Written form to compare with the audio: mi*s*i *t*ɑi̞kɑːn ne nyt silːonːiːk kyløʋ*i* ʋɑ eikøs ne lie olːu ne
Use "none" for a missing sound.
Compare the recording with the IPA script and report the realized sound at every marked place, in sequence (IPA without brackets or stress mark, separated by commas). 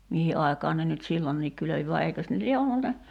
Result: h, ʔ, i